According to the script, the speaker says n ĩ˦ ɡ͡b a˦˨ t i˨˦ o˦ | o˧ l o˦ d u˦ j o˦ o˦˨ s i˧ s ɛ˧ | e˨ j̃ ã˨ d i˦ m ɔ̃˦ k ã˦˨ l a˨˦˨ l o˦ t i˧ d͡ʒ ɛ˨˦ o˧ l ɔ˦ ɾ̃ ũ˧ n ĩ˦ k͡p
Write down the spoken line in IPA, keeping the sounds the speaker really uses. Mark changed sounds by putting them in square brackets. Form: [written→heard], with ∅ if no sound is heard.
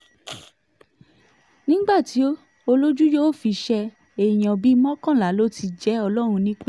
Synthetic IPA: n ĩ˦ ɡ͡b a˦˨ t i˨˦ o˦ | o˧ l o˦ [d→d͡ʒ] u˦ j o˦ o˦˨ [s→f] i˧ [s→ʃ] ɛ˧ | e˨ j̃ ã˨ [d→b] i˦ m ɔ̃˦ k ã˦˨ l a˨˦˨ l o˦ t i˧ d͡ʒ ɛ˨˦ [o˧→ɔ˧] l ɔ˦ ɾ̃ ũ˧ n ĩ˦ k͡p